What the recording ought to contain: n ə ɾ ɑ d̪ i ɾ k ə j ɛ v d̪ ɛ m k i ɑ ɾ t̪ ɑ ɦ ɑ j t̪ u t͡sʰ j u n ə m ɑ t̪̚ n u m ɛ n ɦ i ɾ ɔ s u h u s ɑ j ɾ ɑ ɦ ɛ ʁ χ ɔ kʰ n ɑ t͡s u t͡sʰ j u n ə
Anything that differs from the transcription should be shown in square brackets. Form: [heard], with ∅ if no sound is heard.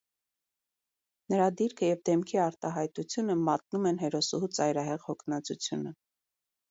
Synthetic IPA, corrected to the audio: n ə ɾ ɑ d̪ i ɾ [kʰ] ə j ɛ v d̪ ɛ m [kʰ] i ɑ ɾ t̪ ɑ ɦ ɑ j t̪ u t͡sʰ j u n ə m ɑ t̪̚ n u m ɛ n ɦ [ɛ] ɾ ɔ s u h u [t͡s] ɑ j ɾ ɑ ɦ ɛ ʁ [h] ɔ kʰ n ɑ t͡s u t͡sʰ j u n ə